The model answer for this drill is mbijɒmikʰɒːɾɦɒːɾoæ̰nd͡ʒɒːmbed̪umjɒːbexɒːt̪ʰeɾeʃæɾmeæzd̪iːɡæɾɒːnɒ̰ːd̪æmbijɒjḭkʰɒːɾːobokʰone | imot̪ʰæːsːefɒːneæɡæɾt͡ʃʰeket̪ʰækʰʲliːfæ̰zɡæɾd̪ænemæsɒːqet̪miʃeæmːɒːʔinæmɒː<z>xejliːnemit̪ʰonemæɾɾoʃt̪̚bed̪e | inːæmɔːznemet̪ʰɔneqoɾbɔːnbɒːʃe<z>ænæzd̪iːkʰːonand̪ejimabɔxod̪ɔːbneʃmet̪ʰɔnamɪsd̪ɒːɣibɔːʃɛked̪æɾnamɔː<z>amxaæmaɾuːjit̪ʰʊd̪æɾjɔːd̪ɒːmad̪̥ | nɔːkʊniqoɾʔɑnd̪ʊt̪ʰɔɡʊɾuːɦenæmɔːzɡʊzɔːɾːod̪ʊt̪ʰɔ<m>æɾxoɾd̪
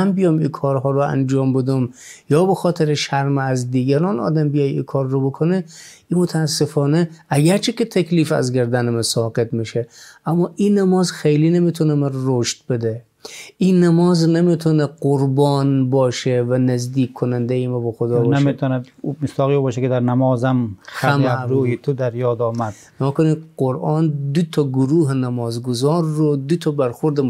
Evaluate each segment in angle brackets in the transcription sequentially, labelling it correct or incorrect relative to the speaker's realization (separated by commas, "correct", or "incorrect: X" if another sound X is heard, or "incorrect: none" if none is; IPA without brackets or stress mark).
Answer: correct, incorrect: v, correct, incorrect: b